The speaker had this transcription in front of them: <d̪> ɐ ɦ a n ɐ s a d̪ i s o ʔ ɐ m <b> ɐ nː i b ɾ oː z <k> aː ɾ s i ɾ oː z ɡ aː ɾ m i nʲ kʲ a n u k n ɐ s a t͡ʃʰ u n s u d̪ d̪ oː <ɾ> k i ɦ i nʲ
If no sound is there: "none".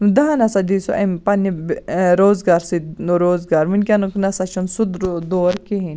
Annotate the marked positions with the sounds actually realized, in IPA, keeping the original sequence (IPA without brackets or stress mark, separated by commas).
d̪, p, ɡ, ɾ